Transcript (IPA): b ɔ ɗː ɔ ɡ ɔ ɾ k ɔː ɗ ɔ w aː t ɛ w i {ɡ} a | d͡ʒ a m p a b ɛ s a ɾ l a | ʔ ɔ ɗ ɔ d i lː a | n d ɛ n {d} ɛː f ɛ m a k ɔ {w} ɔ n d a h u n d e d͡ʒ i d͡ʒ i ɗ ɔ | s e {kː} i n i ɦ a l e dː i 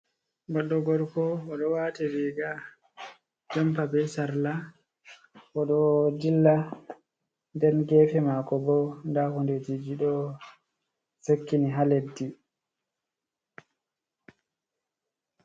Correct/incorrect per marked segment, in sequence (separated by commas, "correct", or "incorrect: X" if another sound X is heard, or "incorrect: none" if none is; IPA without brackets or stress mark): correct, incorrect: ɡ, incorrect: b, correct